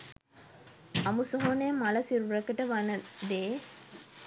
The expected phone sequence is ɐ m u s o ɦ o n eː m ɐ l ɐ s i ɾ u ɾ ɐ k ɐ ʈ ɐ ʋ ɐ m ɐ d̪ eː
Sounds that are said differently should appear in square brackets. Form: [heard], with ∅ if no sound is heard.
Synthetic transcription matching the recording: ɐ m u s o ɦ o n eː m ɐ l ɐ s i ɾ u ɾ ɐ k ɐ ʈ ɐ ʋ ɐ [n] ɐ d̪ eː